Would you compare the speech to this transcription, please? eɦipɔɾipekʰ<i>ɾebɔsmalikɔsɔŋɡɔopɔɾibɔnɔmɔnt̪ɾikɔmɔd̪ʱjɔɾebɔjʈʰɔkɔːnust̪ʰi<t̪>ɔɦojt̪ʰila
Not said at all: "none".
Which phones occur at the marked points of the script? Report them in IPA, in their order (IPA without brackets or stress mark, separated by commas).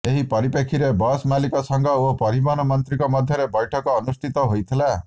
i, t̪